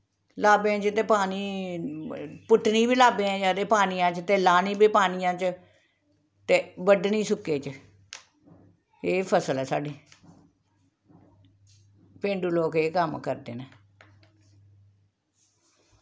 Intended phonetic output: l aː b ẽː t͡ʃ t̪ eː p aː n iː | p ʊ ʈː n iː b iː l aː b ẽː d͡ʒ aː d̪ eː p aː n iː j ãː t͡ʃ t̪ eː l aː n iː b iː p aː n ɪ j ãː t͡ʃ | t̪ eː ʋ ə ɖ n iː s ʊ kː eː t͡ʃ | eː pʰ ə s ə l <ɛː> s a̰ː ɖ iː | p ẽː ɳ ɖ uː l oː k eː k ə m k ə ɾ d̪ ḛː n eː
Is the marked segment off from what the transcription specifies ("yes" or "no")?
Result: no